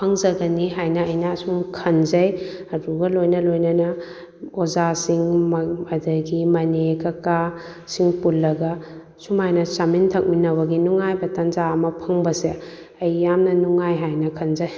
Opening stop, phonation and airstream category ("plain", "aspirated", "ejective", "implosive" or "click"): aspirated